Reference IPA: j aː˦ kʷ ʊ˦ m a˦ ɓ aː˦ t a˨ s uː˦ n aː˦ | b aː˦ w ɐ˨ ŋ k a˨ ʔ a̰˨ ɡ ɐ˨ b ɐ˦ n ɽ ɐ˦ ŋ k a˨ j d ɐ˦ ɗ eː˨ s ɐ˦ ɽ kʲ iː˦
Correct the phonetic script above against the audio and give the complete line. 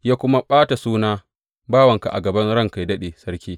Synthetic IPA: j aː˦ kʷ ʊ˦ m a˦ ɓ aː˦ t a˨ s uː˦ n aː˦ | b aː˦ w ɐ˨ ŋ k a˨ ʔ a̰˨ ɡ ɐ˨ b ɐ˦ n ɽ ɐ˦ ŋ k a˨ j d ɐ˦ ɗ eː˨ s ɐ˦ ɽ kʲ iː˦